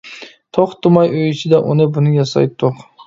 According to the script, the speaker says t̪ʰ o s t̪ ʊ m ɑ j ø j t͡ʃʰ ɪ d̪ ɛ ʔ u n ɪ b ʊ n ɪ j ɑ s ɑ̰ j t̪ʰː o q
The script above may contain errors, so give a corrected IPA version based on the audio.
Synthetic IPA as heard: t̪ʰ o χ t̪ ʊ m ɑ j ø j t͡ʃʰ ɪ d̪ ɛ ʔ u n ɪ b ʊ n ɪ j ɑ s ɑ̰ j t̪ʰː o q